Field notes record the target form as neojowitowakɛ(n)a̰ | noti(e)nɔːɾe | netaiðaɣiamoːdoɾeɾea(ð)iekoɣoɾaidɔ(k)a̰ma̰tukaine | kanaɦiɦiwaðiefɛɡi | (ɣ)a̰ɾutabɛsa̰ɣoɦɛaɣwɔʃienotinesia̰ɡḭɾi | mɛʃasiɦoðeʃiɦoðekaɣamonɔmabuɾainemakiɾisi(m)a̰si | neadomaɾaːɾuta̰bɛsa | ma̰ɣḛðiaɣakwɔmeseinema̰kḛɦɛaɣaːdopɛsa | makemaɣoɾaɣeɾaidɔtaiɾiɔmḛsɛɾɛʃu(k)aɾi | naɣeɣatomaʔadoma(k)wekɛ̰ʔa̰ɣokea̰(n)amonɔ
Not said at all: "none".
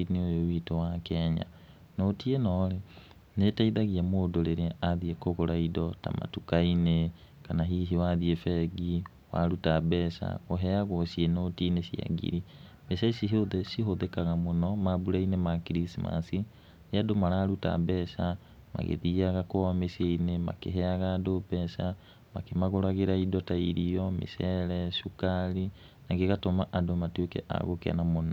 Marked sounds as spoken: ɲ, e, ð, t, w, m, k, t, n

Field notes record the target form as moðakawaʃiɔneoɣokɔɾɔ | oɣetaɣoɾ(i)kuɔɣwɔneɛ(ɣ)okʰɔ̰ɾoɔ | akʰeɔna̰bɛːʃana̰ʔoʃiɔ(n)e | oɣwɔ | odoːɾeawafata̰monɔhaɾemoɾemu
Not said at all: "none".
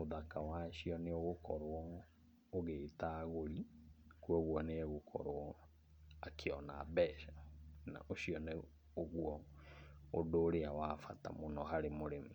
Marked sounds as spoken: i, ɣ, n

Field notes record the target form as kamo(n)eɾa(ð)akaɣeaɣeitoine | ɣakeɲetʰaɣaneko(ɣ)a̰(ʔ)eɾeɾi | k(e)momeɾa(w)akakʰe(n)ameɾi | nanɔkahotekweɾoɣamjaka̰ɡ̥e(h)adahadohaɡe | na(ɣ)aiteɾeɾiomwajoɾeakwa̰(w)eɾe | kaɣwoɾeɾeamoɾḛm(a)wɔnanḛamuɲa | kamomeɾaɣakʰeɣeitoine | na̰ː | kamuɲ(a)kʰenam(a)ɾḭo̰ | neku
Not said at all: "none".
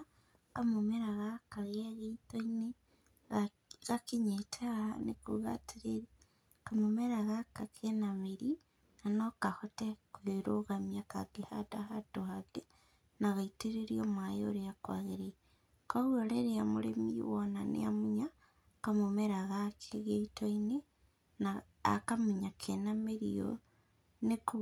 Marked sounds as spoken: m, ɣ, ɣ, t, a, ɣ, n, h, ɣ, ɣ, i, a, e

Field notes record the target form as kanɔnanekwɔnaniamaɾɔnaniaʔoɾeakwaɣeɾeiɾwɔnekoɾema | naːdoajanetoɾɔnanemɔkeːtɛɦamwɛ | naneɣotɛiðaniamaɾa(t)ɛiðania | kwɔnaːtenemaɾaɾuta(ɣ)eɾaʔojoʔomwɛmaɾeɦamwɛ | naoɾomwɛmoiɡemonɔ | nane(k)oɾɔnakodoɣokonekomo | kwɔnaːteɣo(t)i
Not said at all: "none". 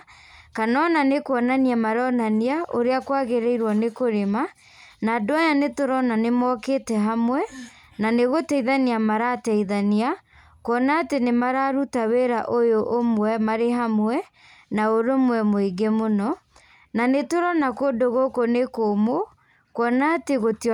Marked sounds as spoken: t, w, t, t

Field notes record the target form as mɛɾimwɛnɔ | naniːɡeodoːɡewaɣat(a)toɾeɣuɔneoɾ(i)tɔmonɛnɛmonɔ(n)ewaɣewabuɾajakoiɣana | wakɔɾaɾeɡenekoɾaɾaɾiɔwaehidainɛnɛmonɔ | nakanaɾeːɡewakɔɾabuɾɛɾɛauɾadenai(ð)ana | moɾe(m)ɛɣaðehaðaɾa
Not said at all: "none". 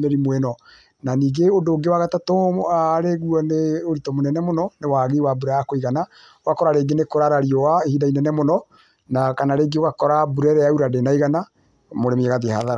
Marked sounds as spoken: a, i, n, ɣ, m

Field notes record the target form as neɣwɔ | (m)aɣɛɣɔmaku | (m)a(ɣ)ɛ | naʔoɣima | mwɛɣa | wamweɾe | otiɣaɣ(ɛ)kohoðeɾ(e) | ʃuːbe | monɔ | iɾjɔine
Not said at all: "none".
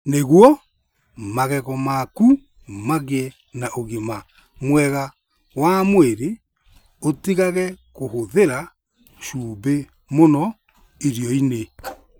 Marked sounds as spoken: m, m, ɣ, ɛ, a

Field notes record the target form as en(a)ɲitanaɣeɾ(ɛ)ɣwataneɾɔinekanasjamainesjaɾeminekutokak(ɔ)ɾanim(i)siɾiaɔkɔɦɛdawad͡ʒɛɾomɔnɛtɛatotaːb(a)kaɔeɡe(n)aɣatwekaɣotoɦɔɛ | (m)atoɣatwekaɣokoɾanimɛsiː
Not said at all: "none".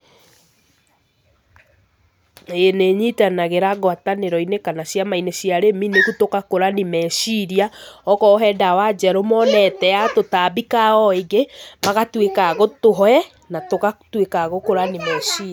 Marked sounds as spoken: e, a, o, ɛ, i, m, n

